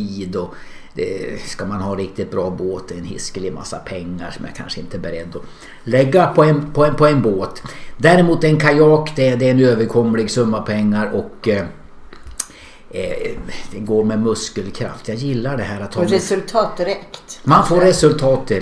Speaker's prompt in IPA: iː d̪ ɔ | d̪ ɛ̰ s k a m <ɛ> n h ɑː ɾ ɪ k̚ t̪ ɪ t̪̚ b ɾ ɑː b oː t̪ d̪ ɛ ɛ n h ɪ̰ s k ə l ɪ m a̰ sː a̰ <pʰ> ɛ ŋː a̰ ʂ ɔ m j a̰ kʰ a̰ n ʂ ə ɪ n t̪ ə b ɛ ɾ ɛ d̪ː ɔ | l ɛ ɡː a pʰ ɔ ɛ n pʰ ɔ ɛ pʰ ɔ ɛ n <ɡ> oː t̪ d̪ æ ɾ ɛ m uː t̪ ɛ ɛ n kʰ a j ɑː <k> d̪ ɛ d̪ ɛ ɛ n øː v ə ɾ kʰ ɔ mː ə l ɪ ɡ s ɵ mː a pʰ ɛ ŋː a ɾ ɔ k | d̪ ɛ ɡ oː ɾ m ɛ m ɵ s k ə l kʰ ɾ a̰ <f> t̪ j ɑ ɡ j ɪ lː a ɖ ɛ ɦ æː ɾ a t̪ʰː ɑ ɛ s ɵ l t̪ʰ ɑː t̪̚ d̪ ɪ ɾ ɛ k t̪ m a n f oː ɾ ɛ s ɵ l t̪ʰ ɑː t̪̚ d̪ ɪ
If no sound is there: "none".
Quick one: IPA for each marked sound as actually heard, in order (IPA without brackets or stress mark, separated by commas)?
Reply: a, pʰ, b, k, f